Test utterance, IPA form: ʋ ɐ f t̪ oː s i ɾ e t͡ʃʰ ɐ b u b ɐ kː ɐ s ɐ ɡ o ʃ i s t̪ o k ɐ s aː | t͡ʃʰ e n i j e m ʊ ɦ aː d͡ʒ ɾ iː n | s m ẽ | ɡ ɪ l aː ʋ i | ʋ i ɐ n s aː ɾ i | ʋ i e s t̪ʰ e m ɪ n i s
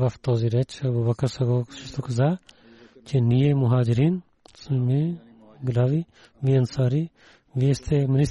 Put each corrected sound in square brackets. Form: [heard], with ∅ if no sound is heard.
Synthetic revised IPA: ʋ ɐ f t̪ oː [z] i ɾ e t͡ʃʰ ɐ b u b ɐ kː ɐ s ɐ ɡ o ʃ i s t̪ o k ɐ [z] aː | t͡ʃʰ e n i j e m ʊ ɦ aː d͡ʒ ɾ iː n | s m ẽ | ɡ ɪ l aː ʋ i | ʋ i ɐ n s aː ɾ i | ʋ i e s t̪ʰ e m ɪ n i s